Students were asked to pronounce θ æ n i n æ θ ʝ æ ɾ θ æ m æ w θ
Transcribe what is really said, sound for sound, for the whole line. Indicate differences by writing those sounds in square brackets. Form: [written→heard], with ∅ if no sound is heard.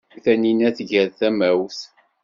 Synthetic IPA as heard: θ æ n i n æ θ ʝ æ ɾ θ æ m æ w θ